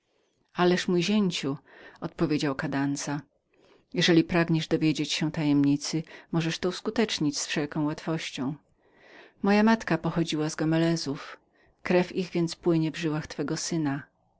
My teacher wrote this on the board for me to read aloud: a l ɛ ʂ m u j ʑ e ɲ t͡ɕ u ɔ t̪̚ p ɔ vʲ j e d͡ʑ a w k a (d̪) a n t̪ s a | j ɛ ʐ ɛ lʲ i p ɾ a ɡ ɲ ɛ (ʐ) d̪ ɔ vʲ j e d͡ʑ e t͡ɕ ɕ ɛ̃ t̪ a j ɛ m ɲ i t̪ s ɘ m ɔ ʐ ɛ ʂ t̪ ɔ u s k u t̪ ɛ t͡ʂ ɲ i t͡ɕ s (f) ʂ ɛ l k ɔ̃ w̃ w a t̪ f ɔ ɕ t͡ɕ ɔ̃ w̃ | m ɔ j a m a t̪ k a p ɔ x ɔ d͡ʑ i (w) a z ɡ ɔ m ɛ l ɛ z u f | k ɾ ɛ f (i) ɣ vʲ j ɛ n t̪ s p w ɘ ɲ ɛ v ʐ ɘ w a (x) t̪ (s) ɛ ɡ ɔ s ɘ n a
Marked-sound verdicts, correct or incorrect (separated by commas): correct, correct, correct, correct, correct, correct, incorrect